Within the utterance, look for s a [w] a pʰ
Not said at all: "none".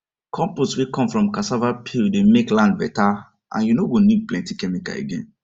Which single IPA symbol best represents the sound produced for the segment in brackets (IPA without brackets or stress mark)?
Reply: v